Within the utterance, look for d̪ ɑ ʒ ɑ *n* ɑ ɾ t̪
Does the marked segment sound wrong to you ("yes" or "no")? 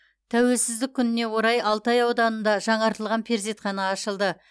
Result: yes